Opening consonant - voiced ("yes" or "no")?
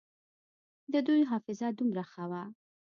yes